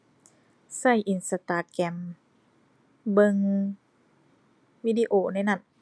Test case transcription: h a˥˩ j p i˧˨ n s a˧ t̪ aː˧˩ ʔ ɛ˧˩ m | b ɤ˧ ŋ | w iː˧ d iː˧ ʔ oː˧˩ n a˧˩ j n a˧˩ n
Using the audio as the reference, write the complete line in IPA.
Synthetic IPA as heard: s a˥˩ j ʔ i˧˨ n s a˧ t̪ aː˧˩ k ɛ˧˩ m | b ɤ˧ ŋ | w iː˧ d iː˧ ʔ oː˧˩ n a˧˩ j n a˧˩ n